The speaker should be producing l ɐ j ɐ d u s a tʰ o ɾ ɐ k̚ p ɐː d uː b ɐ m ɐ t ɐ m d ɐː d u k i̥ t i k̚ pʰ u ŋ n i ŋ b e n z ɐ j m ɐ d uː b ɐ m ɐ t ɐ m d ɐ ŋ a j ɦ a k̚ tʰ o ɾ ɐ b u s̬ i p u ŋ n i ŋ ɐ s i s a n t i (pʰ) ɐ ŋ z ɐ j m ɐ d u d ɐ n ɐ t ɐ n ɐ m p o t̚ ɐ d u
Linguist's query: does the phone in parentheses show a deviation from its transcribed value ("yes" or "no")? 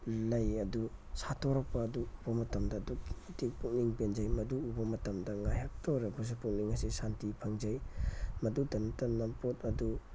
no